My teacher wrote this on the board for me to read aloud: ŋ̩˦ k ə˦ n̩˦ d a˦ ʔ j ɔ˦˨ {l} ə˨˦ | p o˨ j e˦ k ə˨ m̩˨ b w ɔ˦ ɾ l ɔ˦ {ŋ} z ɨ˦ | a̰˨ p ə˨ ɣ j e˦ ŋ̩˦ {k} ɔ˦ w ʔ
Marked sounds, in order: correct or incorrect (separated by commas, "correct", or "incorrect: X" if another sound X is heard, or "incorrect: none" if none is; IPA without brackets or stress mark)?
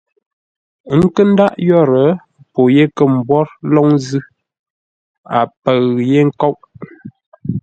incorrect: ɾ, correct, correct